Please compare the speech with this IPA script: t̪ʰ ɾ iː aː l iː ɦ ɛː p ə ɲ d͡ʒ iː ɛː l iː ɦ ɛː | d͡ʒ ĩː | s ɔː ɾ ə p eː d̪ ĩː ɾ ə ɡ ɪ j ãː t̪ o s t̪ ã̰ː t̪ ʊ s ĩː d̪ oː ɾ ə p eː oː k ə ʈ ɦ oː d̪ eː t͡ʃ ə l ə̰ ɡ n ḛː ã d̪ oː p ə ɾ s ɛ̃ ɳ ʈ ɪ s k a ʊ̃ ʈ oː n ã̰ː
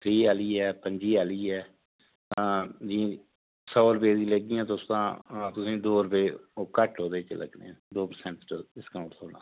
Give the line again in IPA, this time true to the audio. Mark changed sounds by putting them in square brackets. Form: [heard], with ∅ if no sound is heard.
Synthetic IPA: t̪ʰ ɾ iː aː l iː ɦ ɛː p ə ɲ d͡ʒ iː [aː] l iː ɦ ɛː | d͡ʒ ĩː | s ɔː ɾ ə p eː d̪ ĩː [l] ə ɡ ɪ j ãː t̪ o s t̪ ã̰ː t̪ ʊ s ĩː d̪ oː ɾ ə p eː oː k ə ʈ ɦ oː d̪ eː t͡ʃ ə l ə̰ ɡ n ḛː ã d̪ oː p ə ɾ s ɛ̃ ɳ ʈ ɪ s k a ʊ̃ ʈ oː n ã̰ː